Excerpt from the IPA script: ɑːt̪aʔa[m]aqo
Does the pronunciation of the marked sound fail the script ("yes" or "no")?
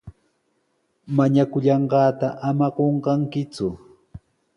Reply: no